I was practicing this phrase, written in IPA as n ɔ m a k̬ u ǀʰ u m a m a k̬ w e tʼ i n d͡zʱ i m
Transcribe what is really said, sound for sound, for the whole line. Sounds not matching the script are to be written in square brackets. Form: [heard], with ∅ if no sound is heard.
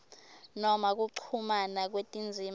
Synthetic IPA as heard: n ɔ m a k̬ u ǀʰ u m a [n] a k̬ w e tʼ i n d͡zʱ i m